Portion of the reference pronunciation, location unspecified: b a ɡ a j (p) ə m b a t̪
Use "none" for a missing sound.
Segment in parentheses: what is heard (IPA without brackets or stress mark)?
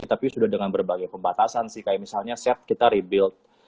p